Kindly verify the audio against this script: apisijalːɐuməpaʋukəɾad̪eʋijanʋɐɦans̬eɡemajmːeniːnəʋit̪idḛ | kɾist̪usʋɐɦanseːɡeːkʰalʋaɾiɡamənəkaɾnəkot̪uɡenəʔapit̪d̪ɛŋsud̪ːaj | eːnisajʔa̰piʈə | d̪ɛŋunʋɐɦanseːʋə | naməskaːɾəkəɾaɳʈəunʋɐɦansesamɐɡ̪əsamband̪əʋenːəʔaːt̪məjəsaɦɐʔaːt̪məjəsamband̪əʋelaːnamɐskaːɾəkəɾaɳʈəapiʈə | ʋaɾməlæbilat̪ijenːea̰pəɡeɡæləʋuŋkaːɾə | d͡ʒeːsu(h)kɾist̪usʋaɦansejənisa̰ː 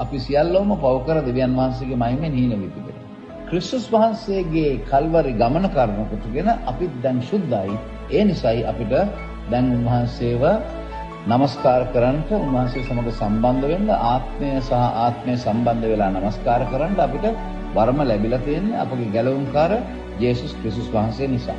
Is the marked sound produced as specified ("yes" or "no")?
no